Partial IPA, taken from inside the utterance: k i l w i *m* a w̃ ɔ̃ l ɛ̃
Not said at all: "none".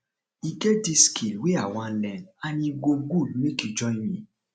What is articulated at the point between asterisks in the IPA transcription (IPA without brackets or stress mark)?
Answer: none